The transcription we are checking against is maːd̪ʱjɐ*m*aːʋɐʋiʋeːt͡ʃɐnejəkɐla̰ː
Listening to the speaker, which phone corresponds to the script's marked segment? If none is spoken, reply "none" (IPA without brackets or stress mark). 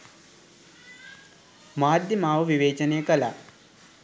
m